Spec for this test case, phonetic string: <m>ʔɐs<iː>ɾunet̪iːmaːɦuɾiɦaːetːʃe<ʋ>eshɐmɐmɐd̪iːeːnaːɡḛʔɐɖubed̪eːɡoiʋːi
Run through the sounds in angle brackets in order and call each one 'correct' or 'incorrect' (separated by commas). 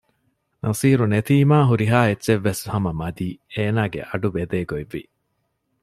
incorrect, correct, incorrect